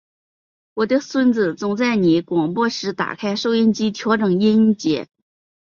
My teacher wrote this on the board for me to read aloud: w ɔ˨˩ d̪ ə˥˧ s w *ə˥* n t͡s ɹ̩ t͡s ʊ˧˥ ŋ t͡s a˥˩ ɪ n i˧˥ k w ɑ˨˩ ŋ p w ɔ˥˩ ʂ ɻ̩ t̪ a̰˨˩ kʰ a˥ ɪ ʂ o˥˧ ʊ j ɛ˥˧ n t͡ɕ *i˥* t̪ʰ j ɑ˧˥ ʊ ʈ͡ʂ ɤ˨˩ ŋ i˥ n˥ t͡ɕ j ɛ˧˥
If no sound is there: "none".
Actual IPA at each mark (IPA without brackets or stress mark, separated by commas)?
ə˥, i˥